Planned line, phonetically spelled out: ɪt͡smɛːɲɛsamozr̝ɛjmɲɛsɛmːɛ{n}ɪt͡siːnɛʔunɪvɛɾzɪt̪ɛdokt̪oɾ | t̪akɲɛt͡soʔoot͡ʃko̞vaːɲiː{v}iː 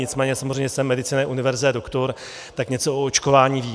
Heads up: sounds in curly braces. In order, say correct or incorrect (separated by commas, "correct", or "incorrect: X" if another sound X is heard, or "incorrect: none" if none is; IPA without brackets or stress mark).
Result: incorrect: d, correct